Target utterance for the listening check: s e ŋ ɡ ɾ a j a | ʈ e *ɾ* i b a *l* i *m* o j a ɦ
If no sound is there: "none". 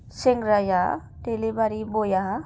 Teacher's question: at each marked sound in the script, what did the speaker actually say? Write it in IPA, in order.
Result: l, ɾ, b

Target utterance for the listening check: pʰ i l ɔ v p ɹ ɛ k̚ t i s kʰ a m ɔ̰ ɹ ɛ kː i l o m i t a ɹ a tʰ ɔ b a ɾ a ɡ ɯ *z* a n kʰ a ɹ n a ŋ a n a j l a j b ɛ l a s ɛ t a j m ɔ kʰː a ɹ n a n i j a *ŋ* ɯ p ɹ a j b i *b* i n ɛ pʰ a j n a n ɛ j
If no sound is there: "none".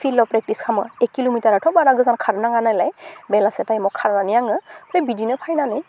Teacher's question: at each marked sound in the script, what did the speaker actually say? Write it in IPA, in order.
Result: z, ŋ, d

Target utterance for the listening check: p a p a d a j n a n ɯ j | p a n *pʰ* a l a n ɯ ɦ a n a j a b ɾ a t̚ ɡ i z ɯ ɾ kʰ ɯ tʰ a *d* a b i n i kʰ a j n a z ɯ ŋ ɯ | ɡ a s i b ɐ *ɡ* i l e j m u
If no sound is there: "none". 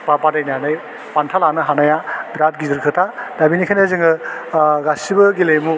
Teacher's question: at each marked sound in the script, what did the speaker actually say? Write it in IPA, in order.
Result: tʰ, d, ɡ

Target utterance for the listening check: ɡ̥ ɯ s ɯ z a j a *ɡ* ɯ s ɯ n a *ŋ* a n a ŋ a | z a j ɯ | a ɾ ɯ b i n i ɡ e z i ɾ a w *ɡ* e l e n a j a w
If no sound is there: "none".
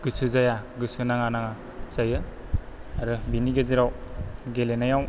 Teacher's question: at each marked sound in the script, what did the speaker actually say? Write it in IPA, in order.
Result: ɡ, ŋ, ɡ

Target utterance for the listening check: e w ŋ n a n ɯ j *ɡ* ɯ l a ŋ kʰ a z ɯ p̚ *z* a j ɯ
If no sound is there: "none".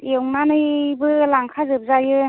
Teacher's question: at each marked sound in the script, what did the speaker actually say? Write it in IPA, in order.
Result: b, z

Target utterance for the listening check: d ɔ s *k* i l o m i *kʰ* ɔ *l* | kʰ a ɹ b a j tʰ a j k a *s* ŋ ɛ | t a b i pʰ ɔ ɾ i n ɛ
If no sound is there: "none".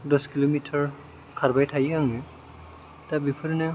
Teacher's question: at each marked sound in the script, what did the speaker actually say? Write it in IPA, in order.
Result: k, tʰ, ɹ, none

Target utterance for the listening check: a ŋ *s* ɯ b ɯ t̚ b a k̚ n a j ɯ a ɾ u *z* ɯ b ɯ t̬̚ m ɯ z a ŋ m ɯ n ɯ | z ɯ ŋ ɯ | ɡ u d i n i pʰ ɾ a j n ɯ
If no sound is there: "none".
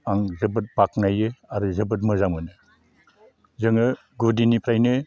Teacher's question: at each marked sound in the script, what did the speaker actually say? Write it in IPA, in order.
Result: z, z

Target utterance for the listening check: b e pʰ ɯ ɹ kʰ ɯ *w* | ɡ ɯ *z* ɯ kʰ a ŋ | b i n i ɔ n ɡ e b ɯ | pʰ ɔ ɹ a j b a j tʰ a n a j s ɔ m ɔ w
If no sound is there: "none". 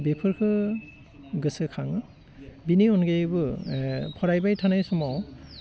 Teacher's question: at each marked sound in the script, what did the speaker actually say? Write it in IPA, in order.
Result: none, s

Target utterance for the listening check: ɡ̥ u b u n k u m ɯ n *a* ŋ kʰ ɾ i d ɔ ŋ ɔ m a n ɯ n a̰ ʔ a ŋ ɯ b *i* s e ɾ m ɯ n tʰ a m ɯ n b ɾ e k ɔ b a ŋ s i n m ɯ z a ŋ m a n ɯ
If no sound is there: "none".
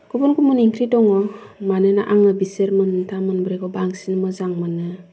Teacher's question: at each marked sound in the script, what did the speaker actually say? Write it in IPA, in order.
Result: i, i

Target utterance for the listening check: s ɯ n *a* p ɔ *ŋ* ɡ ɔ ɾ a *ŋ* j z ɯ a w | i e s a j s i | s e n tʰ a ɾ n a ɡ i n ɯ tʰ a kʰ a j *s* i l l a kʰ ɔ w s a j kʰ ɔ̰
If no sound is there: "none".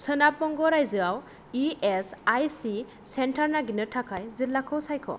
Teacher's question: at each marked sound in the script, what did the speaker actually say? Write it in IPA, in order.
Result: a, ŋ, none, z

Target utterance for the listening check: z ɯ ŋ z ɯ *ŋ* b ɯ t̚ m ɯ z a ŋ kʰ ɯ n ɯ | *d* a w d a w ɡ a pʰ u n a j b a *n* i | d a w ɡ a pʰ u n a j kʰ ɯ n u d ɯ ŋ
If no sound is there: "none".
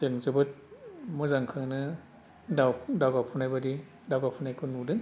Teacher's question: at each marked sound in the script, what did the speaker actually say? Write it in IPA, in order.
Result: none, d, d

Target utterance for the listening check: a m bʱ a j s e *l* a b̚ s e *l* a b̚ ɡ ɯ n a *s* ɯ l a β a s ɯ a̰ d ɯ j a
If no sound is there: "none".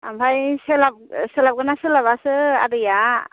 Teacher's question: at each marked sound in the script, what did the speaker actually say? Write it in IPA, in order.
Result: l, l, s

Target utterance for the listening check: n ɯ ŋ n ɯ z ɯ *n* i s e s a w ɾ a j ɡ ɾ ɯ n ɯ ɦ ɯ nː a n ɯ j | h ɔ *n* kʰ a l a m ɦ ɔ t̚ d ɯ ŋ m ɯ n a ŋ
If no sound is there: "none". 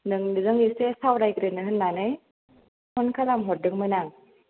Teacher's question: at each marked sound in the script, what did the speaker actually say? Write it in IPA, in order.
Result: ŋ, n

